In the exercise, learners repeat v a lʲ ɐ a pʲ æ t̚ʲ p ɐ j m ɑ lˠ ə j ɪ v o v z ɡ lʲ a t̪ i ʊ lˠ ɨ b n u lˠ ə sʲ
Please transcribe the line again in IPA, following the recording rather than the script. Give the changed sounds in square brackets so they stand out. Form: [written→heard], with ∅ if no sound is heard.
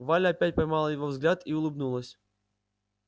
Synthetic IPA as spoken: v a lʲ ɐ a pʲ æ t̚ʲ p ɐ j m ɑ lˠ ə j ɪ v o v z ɡ lʲ a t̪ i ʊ lˠ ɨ b n u lˠ ə sʲ

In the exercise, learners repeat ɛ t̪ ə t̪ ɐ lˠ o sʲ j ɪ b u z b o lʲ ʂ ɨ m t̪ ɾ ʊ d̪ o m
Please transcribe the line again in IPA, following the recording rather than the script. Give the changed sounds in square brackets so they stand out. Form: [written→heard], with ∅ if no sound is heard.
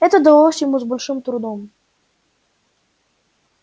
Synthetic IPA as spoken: ɛ t̪ ə [t̪→d̪] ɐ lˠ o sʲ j ɪ [b→m] u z b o lʲ ʂ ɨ m t̪ ɾ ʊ d̪ o m

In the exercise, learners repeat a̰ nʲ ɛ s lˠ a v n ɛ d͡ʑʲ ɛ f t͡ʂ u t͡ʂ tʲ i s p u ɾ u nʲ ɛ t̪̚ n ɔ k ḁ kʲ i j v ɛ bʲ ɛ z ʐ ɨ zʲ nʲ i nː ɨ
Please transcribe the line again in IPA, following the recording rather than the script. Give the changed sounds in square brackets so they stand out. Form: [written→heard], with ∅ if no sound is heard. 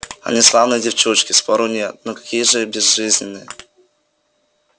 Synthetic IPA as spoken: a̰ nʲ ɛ s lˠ a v n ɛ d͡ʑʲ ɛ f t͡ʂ u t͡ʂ [tʲ→kʲ] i s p [u→ɔ] ɾ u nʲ ɛ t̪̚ n ɔ k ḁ kʲ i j [v→ʐ] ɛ bʲ ɛ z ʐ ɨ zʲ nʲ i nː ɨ

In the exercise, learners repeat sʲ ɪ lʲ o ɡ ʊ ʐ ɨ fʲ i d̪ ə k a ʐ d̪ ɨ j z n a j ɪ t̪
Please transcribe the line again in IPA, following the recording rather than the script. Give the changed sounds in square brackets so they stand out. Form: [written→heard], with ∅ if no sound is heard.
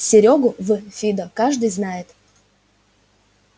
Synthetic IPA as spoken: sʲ ɪ [lʲ→ɾʲ] o ɡ ʊ [ʐ→v] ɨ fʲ i d̪ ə k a ʐ d̪ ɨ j z n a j ɪ t̪

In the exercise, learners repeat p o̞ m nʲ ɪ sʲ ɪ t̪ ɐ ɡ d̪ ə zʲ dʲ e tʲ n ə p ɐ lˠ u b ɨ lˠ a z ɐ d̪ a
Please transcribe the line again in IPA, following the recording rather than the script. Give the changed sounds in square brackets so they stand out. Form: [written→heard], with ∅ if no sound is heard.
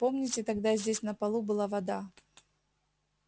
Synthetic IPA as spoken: p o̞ m nʲ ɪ [sʲ→tʲ] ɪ t̪ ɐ ɡ d̪ [ə→a] zʲ dʲ e [tʲ→sʲ] n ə p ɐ lˠ u b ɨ lˠ a [z→v] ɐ d̪ a

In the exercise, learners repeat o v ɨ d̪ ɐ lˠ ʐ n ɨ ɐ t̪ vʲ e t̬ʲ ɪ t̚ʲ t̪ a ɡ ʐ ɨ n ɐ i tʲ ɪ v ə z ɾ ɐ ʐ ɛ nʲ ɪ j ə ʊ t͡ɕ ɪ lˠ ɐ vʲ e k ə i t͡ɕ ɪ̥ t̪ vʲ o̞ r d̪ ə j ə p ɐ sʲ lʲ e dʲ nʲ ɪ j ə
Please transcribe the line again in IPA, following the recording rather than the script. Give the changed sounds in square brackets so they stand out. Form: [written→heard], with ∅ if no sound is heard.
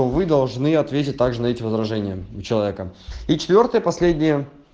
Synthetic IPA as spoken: o v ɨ d̪ ɐ lˠ ʐ n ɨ ɐ t̪ vʲ e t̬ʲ ɪ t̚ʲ t̪ a ɡ ʐ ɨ n ɐ [i→ɛ] tʲ ɪ v ə z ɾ ɐ ʐ ɛ nʲ ɪ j ə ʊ t͡ɕ ɪ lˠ ɐ vʲ e k ə i t͡ɕ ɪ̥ t̪ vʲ o̞ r [d̪→t̪] ə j ə p ɐ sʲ lʲ e dʲ nʲ ɪ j ə

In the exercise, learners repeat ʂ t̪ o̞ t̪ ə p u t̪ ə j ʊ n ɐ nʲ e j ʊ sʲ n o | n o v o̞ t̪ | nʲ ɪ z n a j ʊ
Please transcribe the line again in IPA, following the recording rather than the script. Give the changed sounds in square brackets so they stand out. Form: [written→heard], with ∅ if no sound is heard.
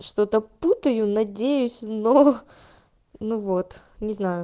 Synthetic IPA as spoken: ʂ t̪ o̞ t̪ ə p u t̪ ə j ʊ n ɐ [nʲ→dʲ] e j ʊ sʲ n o | n [o→u] v o̞ t̪ | nʲ ɪ z n a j ʊ

